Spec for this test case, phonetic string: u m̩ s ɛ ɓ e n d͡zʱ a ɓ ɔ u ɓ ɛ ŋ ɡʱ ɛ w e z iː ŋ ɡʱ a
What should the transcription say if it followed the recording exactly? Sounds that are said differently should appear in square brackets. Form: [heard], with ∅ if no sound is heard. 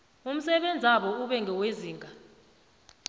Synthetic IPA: u m̩ s ɛ ɓ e n d͡zʱ a ɓ ɔ u ɓ ɛ ŋ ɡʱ ɛ w e z iː ŋ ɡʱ a